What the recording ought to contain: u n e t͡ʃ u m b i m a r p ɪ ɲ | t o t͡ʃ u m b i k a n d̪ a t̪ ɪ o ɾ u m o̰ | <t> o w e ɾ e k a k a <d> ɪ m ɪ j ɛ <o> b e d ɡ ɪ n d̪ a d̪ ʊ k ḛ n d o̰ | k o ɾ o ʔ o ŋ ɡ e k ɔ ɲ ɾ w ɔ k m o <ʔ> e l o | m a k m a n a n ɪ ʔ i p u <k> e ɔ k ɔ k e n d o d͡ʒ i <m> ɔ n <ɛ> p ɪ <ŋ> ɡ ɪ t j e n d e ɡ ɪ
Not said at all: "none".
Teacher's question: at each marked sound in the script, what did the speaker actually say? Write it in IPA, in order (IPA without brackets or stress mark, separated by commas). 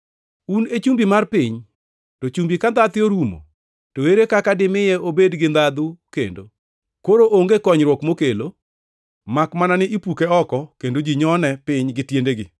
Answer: t, d, o, k, k, ɲ, ɛ, ɲ